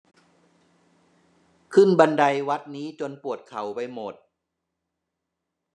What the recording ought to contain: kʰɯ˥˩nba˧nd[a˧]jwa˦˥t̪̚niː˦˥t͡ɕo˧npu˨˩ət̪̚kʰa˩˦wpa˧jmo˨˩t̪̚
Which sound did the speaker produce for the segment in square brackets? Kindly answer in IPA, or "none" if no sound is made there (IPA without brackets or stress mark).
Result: a˧